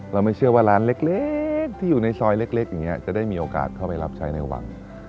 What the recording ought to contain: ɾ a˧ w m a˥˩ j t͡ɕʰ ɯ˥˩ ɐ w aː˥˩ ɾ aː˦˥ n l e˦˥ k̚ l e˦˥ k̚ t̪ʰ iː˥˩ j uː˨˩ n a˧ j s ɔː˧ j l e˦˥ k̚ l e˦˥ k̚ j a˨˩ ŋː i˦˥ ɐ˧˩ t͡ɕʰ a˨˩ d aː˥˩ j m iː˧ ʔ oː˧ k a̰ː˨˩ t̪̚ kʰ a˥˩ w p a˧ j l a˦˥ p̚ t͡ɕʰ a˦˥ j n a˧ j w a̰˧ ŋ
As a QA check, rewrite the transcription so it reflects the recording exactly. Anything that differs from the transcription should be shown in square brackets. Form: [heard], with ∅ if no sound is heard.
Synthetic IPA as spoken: ɾ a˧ w m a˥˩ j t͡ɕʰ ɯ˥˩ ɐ w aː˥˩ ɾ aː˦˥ n l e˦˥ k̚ l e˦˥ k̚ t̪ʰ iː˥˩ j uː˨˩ n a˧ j s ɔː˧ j l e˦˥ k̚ l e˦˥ k̚ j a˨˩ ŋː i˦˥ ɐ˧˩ [t͡ɕ] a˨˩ d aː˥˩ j m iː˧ ʔ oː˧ k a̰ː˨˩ t̪̚ kʰ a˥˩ w p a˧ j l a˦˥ p̚ t͡ɕʰ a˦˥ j n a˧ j w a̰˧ ŋ